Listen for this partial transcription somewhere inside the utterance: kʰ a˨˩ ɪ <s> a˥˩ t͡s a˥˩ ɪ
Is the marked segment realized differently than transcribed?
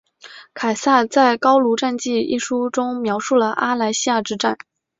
no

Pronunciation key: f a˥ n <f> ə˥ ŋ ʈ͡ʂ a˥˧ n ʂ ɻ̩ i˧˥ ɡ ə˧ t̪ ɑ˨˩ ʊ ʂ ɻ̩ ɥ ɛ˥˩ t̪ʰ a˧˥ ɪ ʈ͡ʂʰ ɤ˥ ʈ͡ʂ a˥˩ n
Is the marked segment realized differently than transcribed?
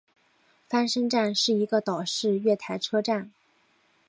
yes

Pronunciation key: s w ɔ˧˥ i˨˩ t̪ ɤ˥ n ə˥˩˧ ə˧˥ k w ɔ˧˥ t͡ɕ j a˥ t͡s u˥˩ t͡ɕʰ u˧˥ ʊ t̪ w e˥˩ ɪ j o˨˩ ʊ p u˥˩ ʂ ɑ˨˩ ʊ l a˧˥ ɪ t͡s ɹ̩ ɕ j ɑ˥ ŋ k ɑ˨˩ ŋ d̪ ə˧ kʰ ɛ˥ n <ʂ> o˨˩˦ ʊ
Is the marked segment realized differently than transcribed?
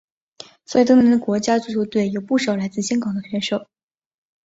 no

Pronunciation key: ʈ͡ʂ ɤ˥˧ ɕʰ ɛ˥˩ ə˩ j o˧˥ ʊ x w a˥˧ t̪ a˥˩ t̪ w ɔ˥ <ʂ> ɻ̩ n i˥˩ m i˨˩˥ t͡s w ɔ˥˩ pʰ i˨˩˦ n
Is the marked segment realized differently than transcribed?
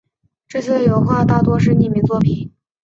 no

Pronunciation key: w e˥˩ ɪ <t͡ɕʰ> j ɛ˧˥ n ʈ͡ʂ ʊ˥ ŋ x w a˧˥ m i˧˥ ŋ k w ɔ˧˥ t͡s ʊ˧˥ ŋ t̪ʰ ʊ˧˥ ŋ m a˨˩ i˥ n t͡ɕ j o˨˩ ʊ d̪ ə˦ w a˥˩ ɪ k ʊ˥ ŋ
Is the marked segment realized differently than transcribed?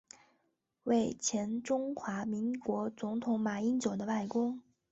no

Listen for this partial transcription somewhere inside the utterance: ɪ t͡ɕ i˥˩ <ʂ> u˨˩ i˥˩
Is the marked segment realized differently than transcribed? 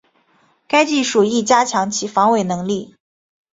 no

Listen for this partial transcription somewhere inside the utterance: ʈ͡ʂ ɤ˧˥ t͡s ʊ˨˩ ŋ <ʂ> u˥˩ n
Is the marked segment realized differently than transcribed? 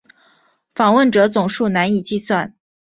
no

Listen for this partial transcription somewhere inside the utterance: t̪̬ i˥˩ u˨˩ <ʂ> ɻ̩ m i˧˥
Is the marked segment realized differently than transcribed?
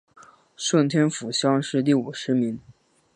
no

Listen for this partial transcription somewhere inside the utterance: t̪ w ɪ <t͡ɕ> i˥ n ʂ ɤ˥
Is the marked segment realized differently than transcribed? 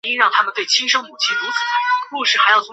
yes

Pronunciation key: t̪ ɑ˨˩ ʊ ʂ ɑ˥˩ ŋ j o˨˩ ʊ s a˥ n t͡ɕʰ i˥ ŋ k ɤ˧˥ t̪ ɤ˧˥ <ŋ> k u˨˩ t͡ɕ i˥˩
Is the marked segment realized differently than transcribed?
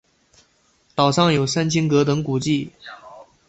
no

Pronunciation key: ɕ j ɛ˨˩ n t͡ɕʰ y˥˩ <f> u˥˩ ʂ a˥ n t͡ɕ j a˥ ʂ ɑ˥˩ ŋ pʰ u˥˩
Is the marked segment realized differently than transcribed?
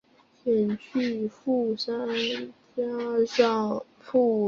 no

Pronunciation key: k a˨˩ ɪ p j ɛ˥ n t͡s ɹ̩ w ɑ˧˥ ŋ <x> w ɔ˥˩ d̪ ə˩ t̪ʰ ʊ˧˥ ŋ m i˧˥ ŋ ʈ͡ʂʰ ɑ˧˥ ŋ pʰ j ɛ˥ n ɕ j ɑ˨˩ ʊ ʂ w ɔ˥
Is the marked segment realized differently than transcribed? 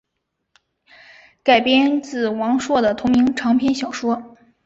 yes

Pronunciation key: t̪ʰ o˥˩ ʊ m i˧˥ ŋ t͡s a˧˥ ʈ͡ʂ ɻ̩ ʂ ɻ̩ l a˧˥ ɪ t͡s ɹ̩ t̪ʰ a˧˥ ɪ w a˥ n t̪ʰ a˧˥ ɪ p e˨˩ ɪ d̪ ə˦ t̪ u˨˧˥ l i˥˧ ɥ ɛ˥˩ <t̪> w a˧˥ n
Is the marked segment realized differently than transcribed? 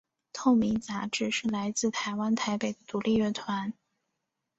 yes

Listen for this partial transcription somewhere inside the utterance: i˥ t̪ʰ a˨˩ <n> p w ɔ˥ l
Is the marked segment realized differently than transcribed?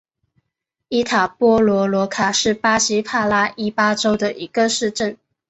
yes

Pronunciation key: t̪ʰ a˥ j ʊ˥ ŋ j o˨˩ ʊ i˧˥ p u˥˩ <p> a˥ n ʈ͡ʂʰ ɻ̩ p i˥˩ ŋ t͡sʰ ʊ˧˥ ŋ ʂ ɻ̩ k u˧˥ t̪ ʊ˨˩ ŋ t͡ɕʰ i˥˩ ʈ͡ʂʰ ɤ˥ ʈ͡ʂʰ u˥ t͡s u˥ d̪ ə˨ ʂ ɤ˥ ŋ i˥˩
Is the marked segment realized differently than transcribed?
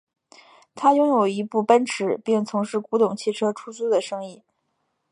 no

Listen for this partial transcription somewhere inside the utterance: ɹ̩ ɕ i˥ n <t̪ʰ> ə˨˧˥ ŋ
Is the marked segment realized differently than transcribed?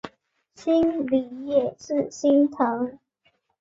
no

